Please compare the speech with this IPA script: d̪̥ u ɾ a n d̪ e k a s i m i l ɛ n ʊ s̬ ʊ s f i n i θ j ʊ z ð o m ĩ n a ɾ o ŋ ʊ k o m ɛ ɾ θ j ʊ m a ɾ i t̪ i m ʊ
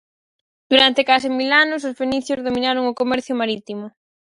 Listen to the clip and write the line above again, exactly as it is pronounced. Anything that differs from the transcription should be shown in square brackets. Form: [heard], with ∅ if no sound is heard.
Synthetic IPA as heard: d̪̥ u ɾ a n [t̪] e k a s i m i l [a] n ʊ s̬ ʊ s f [e] n i θ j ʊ z ð o m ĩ n a ɾ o ŋ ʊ k o m ɛ ɾ θ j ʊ m a ɾ i t̪ i m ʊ